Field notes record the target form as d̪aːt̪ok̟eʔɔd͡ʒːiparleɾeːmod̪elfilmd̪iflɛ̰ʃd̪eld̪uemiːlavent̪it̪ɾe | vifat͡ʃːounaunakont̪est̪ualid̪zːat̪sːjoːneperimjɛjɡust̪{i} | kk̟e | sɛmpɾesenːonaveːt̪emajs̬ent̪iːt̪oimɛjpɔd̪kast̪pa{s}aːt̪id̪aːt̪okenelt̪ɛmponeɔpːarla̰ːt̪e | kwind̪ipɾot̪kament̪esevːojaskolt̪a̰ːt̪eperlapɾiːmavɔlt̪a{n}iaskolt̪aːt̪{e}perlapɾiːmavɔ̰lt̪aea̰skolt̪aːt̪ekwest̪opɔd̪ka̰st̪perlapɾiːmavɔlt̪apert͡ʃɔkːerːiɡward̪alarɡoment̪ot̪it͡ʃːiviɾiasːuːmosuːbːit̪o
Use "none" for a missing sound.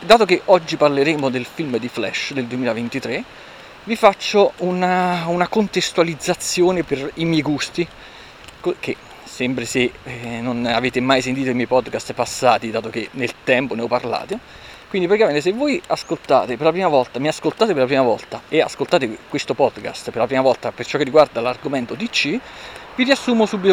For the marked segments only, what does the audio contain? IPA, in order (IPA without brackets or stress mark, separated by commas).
i, sː, m, e